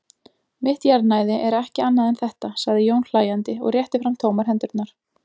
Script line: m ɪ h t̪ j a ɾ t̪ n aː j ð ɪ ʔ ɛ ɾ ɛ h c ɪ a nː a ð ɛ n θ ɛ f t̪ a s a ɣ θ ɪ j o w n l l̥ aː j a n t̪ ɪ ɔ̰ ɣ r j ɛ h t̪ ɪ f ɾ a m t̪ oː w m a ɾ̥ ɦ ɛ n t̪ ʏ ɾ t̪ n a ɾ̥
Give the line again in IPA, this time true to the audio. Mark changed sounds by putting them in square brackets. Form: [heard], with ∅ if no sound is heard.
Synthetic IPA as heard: m ɪ h t̪ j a ɾ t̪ n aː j ð ɪ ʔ ɛ ɾ ɛ h c ɪ a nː a ð ɛ n θ ɛ [h] t̪ a s a ɣ [ð] ɪ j o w n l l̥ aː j a n t̪ ɪ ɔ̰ ɣ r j ɛ h t̪ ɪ f ɾ a m [t̪ʰ] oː w m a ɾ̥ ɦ ɛ n t̪ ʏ ɾ t̪ n a ɾ̥